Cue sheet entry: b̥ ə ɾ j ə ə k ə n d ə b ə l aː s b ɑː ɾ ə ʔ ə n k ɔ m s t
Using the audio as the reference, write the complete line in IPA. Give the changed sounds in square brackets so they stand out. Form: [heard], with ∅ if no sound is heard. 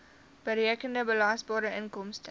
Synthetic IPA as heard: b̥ ə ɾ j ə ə k ə n d ə b ə l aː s b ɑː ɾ ə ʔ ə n k ɔ m s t